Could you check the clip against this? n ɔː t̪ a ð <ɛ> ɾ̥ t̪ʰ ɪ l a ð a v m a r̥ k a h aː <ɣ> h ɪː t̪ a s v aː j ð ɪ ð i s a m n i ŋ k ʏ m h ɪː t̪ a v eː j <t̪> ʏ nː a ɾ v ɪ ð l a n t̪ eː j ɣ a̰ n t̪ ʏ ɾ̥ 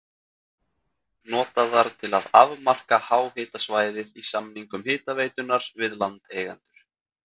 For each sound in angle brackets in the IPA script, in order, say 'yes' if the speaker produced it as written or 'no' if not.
no, no, yes

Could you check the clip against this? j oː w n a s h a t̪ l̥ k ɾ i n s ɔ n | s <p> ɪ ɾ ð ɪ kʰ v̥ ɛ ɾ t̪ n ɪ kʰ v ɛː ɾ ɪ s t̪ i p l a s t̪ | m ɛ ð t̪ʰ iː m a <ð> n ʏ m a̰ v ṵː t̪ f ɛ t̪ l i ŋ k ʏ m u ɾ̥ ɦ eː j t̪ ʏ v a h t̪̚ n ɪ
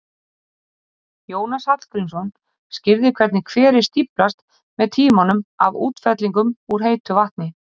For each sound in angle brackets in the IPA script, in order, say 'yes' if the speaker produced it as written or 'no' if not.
no, no

